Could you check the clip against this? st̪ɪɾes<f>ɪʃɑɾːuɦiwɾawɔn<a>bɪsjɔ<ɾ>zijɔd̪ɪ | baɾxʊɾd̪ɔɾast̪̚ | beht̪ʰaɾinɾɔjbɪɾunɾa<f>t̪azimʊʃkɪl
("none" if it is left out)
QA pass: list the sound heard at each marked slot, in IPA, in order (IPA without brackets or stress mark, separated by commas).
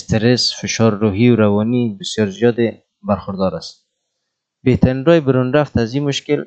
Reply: f, i, ɾ, f